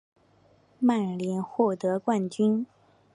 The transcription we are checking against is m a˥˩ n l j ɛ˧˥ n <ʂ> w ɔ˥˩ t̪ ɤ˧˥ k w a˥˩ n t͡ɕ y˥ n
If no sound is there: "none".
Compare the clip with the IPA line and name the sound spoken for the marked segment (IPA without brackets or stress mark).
x